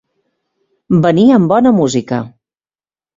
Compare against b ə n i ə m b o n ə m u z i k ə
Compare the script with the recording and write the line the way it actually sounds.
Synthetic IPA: b ə n i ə m b ɔ n ə m u z i k ə